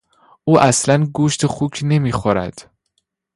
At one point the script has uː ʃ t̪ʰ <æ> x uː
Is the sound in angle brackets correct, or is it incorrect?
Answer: incorrect